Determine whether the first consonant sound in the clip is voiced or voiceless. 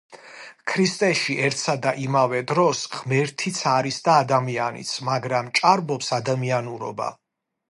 voiceless